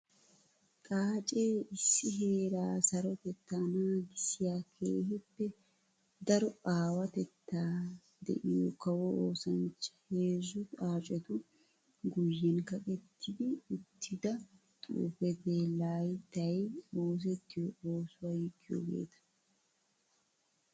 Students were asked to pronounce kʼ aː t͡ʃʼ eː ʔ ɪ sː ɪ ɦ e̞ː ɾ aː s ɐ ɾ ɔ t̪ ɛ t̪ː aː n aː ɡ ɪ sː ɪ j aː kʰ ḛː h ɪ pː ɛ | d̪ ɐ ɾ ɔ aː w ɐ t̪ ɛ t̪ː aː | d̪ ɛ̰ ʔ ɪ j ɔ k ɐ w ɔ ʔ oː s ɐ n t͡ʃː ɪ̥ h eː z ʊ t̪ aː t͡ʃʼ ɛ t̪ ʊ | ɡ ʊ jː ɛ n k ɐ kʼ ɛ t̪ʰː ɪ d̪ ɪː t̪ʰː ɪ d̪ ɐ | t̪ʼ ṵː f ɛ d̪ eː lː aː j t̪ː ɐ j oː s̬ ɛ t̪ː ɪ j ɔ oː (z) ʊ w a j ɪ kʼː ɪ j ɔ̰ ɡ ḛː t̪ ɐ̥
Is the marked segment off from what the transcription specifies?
yes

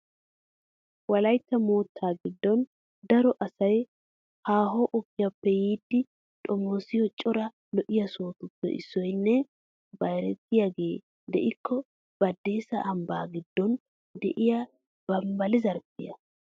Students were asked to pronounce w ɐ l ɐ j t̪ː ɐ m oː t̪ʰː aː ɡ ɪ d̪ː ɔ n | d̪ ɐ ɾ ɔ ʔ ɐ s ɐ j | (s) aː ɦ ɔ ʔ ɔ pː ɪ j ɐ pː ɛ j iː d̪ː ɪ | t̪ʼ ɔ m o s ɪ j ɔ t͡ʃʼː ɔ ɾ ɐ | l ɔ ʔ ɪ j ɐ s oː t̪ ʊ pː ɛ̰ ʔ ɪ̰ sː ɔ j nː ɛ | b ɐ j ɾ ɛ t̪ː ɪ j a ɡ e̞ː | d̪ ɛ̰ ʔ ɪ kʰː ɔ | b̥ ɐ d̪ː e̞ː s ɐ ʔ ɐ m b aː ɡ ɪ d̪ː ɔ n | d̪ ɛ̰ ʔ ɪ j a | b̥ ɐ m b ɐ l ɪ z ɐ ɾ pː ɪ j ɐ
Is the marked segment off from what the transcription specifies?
yes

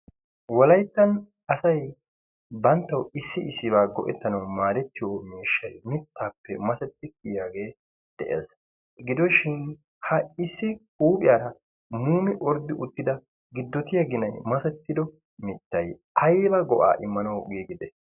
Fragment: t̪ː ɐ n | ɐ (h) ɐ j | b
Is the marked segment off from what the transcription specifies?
yes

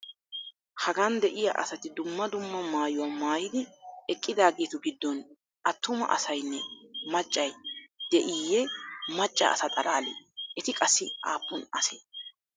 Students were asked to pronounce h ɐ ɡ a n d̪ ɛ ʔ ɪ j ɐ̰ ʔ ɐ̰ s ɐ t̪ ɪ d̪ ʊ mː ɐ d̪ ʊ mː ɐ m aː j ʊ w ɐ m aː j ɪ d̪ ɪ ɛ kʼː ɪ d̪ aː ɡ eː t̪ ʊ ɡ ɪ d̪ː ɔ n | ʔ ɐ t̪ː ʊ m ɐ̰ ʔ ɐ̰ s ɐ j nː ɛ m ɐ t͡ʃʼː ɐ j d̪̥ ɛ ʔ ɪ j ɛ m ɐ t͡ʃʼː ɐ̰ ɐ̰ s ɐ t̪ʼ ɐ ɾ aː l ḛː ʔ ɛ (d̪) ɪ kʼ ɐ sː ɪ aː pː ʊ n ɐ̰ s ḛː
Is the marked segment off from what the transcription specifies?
yes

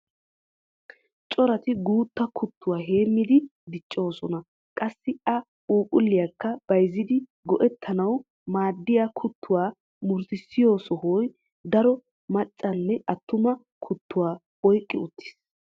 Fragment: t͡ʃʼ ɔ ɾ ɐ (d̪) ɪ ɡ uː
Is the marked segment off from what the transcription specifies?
yes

